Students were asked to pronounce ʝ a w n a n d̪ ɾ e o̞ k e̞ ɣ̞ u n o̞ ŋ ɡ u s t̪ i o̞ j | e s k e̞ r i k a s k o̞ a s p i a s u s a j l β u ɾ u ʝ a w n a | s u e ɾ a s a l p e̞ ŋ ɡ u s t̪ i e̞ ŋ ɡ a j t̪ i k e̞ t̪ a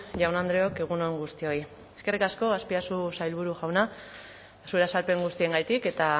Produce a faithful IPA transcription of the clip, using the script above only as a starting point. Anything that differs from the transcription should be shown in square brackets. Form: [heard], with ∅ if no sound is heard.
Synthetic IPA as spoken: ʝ a w n a n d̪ ɾ e o̞ k e̞ ɣ̞ u n o̞ ŋ ɡ u s t̪ i o̞ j | e s k e̞ r i k a s k o̞ a s p i a s u s a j l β u ɾ u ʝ a w n a | s u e ɾ a s a l p e̞ ŋ ɡ u s t̪ i e̞ ŋ ɡ a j t̪ i k e̞ t̪ a

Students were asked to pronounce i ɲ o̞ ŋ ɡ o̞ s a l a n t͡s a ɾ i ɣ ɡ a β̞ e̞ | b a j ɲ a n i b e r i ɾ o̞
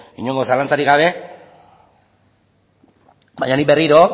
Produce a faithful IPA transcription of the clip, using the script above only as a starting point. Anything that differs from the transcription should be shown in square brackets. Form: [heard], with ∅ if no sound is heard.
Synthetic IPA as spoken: i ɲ o̞ ŋ ɡ o̞ s a l a n t͡s a ɾ i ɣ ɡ a β̞ e̞ | b a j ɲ a n i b e r i ɾ o̞

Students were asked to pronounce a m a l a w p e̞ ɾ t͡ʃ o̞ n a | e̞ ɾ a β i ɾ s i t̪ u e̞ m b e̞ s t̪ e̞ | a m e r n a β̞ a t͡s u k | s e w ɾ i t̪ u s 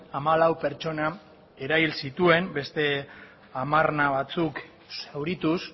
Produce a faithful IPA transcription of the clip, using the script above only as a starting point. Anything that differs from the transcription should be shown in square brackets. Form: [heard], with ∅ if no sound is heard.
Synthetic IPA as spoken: a m a l a w p e̞ ɾ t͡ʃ o̞ n a | e̞ ɾ a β i [l] s i t̪ u e̞ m b e̞ s t̪ e̞ | a m [a] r n a β̞ a t͡s u k | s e w ɾ i t̪ u s

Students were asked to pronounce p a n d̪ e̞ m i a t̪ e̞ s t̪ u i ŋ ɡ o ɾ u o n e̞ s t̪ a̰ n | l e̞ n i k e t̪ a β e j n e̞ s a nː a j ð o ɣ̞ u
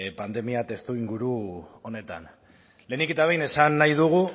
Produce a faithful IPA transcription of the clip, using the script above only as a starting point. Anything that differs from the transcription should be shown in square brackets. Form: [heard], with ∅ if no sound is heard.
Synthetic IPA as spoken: p a n d̪ e̞ m i a t̪ e̞ s t̪ u i ŋ ɡ [u] ɾ u o n e̞ [∅] t̪ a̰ n | l e̞ n i k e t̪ a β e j n e̞ s a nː a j ð [u] ɣ̞ u

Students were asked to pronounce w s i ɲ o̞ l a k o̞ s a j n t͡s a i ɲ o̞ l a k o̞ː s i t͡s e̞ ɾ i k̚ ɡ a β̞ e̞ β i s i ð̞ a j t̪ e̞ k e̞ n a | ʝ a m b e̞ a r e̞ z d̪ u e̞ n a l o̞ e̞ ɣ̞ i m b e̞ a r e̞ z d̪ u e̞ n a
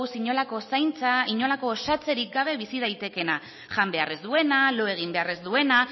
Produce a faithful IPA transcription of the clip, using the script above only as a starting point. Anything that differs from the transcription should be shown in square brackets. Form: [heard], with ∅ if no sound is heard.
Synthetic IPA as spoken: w s i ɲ o̞ l a k o̞ s a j n t͡s a i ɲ o̞ l a k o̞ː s [a] t͡s e̞ ɾ i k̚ ɡ a β̞ e̞ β i s i ð̞ a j t̪ e̞ k e̞ n a | ʝ a m b e̞ a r e̞ z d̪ u e̞ n a l o̞ e̞ ɣ̞ i m b e̞ a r e̞ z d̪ u e̞ n a

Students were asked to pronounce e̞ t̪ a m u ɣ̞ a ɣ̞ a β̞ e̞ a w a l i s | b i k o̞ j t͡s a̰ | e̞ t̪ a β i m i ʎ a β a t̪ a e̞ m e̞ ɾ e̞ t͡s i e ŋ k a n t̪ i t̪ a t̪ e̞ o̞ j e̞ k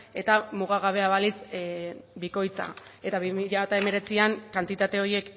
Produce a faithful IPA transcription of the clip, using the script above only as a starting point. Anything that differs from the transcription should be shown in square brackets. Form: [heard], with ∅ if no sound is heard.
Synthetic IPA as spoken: e̞ t̪ a m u ɣ̞ a ɣ̞ a β̞ e̞ a [β] a l i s | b i k o̞ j t͡s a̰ | e̞ t̪ a β i m i ʎ a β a t̪ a e̞ m e̞ ɾ e̞ t͡s i [a] ŋ k a n t̪ i t̪ a t̪ e̞ o̞ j e̞ k

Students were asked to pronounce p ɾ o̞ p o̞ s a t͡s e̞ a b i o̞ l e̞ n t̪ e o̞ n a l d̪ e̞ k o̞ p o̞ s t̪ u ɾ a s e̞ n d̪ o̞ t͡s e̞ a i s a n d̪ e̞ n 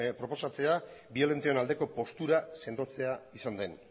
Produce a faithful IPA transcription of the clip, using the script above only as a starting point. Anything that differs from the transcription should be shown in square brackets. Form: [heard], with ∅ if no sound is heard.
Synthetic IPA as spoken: p ɾ o̞ p o̞ s a t͡s e̞ a b i o̞ l e̞ n t̪ e o̞ n a l d̪ e̞ k o̞ p o̞ s t̪ u ɾ a s e̞ n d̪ o̞ t͡s e̞ a i s a n d̪ e̞ n

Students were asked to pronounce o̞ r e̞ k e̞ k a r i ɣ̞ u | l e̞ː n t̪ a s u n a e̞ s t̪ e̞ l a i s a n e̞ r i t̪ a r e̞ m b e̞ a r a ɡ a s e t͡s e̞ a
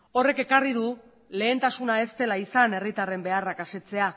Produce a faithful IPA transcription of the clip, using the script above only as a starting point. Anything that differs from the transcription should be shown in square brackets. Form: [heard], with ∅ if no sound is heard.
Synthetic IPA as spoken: o̞ r e̞ k e̞ k a r i [ð̞] u | l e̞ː n t̪ a s u n a e̞ s t̪ e̞ l a i s a n e̞ r i t̪ a r e̞ m b e̞ a r a [k] a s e t͡s e̞ a

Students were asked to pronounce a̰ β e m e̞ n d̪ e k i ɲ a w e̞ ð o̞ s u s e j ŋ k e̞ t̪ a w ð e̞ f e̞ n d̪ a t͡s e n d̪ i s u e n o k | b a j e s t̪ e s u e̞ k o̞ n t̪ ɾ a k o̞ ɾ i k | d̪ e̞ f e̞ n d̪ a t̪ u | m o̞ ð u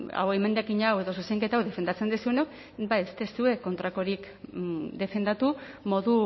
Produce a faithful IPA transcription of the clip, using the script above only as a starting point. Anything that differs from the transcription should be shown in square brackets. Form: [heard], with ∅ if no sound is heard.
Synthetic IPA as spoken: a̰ [w] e m e̞ n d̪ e k i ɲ a w e̞ ð o̞ s u s e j ŋ k e̞ t̪ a w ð e̞ f e̞ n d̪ a t͡s e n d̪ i s u e n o k | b a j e s t̪ e s u e̞ k o̞ n t̪ ɾ a k o̞ ɾ i k | d̪ e̞ f e̞ n d̪ a t̪ u | m o̞ ð u

